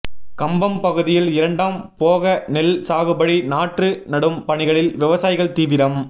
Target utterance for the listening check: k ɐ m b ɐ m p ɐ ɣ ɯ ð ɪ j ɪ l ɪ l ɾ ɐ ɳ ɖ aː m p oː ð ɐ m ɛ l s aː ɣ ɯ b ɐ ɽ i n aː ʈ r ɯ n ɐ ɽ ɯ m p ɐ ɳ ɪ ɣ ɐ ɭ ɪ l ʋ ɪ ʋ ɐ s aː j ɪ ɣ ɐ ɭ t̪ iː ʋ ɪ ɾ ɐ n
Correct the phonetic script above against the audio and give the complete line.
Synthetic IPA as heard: k ɐ m b ɐ m p ɐ ɣ ɯ ð ɪ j ɪ l ɪ ɾ ɐ ɳ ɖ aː m p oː ɣ ɐ n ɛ l s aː ɣ ɯ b ɐ ɽ i n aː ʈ r ɯ n ɐ ɽ ɯ m p ɐ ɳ ɪ ɣ ɐ ɭ ɪ l ʋ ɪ ʋ ɐ s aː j ɪ ɣ ɐ ɭ t̪ iː ʋ ɪ ɾ ɐ m

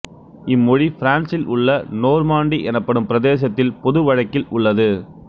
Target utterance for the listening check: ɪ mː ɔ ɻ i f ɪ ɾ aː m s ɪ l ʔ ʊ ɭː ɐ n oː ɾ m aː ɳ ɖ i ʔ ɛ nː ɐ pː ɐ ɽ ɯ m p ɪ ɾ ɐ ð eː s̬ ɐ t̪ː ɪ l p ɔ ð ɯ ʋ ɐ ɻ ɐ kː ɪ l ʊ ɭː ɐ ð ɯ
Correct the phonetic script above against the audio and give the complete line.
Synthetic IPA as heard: ɪ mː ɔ ɻ i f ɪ ɾ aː n s ɪ l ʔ ʊ ɭː ɐ n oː ɾ m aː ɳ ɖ i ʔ ɛ n ɐ pː ɐ ɽ ɯ m p ɪ ɾ ɐ ð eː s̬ ɐ t̪ː ɪ l p ɔ ð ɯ ʋ ɐ ɻ ɐ kː ɪ l ʊ ɭː ɐ ð ɯ

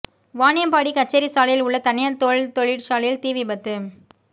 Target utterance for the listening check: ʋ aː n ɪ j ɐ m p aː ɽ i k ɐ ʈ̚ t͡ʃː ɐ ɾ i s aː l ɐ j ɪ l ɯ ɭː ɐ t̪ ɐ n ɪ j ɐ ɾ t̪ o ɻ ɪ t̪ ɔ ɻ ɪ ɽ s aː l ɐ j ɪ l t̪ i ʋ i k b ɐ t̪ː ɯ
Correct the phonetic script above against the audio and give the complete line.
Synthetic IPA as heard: ʋ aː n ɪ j ɐ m p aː ɽ i k ɐ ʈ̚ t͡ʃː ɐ ɾ i s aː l ɐ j ɪ l ʊ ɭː ɐ t̪ ɐ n ɪ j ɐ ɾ t̪ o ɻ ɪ t̪ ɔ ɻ ɪ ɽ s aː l ɐ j ɪ l t̪ iː ʋ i b ɐ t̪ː ɯ

